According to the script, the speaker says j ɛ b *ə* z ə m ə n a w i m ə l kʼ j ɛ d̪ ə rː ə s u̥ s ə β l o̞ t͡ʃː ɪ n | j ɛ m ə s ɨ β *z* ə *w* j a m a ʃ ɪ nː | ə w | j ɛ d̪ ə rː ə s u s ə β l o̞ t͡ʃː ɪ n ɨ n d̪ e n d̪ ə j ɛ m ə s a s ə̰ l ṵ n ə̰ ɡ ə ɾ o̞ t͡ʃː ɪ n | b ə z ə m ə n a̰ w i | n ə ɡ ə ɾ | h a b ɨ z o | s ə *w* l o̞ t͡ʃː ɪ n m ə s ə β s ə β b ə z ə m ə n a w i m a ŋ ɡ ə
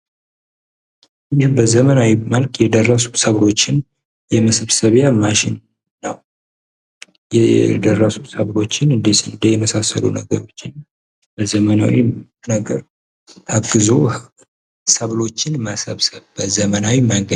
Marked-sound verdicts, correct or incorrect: correct, incorrect: s, incorrect: β, incorrect: β

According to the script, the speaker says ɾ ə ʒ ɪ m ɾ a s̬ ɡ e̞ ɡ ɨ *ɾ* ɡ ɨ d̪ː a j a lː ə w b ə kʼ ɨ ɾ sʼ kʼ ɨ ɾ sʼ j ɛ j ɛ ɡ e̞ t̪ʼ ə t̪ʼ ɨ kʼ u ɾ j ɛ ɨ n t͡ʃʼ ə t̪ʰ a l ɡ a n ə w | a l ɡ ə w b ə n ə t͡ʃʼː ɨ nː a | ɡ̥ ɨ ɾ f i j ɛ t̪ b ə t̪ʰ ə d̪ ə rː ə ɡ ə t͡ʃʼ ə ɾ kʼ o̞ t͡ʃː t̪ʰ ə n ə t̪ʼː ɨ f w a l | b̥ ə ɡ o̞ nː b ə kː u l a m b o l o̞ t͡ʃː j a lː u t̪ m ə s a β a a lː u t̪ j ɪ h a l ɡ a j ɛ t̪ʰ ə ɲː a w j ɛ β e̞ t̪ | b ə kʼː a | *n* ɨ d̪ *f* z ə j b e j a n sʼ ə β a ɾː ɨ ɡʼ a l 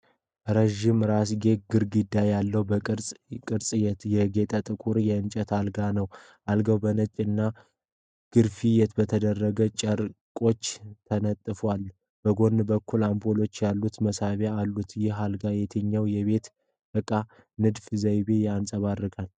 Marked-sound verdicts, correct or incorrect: correct, correct, correct

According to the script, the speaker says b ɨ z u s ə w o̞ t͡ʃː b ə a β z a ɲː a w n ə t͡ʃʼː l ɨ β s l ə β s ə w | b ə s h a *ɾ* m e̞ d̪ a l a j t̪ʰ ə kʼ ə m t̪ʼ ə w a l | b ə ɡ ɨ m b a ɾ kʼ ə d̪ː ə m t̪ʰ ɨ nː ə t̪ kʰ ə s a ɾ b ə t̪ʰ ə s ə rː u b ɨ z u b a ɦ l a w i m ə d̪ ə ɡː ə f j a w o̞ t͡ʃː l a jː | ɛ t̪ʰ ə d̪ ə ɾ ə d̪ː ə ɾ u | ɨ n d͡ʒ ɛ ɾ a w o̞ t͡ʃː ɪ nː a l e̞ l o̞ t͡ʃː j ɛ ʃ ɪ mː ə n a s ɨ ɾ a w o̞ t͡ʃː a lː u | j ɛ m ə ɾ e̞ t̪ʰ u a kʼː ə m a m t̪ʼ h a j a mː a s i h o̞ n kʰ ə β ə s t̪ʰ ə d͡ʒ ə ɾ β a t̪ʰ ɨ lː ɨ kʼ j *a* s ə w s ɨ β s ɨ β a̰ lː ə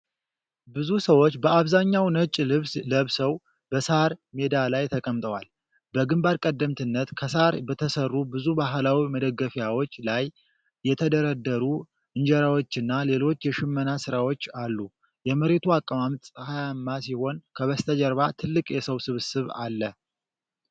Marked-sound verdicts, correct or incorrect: correct, incorrect: ɛ

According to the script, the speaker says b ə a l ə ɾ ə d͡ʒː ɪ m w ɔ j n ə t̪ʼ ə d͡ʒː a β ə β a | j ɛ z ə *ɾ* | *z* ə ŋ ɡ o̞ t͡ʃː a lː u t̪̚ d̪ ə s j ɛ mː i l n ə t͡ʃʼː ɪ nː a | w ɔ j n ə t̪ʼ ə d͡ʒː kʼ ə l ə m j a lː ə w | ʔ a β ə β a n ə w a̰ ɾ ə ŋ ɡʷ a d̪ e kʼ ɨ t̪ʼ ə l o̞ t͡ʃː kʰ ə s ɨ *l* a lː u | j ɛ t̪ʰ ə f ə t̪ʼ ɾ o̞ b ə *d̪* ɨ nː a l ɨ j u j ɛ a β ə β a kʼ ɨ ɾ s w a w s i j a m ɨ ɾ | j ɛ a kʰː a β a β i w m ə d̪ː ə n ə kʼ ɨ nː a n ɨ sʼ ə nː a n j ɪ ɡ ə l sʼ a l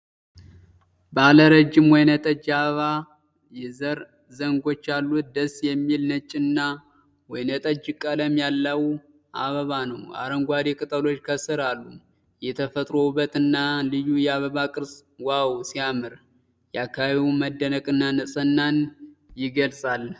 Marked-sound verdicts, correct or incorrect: correct, correct, incorrect: ɾ, incorrect: t̪

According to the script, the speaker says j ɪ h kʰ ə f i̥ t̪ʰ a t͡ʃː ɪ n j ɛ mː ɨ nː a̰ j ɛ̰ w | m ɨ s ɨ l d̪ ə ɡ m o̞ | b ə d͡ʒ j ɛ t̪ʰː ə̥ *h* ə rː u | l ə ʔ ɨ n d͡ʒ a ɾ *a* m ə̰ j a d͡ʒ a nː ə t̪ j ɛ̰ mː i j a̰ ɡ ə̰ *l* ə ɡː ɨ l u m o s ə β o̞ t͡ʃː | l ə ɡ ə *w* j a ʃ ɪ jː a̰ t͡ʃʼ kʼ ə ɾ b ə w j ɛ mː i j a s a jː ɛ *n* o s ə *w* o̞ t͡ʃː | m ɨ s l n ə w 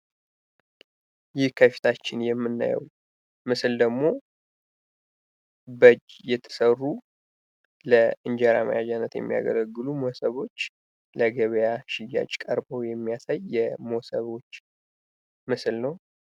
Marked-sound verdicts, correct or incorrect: incorrect: s, correct, correct, incorrect: β, incorrect: m, incorrect: β

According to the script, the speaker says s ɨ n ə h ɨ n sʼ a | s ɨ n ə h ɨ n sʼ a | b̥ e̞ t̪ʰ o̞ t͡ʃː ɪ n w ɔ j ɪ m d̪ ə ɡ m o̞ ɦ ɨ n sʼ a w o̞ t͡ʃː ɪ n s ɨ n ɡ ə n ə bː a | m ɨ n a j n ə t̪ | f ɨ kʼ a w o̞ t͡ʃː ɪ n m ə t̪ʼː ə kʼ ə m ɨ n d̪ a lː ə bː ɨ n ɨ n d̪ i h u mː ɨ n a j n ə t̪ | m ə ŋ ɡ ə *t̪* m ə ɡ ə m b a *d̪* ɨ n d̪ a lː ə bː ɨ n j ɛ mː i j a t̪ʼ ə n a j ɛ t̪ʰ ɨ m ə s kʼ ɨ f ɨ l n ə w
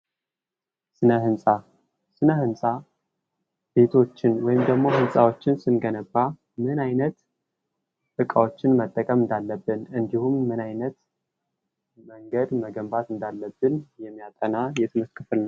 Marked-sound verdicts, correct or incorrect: incorrect: d̪, incorrect: t̪

